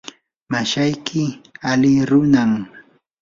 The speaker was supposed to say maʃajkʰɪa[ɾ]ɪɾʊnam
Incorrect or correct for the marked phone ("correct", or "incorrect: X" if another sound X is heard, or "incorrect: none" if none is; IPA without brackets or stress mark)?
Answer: incorrect: l